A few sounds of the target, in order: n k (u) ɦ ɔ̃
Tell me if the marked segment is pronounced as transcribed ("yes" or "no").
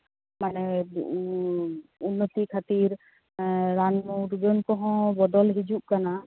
no